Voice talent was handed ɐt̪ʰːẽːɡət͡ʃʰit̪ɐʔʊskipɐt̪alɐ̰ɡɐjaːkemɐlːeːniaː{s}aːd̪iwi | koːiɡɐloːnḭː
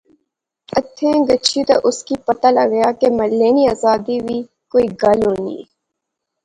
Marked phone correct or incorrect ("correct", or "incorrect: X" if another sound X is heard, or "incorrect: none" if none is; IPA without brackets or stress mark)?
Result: incorrect: z